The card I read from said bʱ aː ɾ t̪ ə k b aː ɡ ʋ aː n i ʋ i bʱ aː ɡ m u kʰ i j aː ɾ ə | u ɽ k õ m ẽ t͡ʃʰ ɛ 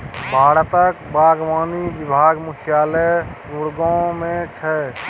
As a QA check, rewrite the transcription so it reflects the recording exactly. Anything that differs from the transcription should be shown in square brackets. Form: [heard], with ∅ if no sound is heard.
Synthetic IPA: bʱ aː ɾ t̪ ə k b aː ɡ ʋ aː n i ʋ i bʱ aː ɡ m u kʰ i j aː [l] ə | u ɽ [ɡ] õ m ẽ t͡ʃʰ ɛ